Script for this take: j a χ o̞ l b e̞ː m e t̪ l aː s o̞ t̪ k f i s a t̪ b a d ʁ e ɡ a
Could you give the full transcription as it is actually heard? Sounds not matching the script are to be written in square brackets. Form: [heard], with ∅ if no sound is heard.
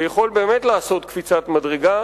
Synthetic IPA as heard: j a χ o̞ l b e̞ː m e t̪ l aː s o̞ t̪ k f i [t͡s] a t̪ [m] a d ʁ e ɡ a